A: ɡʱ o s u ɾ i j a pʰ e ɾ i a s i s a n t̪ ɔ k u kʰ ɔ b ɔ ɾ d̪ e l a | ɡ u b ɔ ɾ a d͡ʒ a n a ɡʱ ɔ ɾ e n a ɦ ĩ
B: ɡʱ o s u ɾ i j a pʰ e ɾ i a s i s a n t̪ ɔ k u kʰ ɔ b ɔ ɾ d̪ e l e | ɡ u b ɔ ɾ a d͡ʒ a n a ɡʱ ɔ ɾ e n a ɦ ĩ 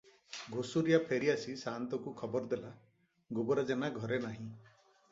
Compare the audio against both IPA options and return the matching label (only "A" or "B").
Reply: A